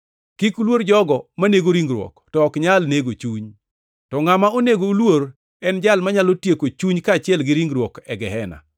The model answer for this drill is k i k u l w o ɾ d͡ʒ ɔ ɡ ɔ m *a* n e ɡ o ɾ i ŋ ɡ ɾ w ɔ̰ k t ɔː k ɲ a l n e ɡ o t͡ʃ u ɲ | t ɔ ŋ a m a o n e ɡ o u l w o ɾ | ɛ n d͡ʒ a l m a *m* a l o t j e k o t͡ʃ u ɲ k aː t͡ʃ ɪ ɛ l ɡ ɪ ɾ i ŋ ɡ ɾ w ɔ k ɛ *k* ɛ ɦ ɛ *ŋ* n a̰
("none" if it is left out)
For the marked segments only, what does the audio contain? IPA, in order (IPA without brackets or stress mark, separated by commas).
a, ɲ, ɡ, none